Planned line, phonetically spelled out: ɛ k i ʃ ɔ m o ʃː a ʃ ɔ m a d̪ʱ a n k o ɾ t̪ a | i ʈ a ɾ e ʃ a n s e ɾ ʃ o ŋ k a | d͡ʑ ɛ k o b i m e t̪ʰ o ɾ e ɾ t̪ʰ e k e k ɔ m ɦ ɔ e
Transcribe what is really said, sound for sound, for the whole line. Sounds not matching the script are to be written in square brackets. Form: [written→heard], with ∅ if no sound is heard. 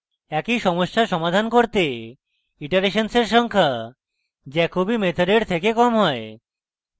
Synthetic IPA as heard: ɛ k i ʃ ɔ m o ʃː a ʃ ɔ m a d̪ʱ a n k o ɾ t̪ [a→e] | i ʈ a ɾ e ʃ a n s e ɾ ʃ [o→ɔ] ŋ [k→kʰ] a | d͡ʑ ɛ k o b i m e t̪ʰ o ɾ e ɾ t̪ʰ e k e k ɔ m ɦ ɔ e